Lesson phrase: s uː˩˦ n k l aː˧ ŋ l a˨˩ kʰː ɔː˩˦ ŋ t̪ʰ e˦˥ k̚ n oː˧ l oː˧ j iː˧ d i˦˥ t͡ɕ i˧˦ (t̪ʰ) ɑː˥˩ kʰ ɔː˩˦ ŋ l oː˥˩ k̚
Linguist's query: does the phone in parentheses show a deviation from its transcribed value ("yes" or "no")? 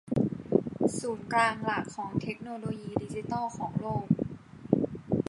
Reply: yes